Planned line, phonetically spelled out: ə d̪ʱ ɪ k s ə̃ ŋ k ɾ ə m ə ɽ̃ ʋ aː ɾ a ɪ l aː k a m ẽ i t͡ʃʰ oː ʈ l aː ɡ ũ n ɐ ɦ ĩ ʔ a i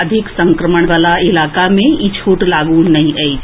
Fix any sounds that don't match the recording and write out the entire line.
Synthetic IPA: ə d̪ʱ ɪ k s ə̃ ŋ k ɾ ə m ə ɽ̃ ʋ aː l a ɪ l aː k a m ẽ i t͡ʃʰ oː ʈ l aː ɡ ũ n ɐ ɦ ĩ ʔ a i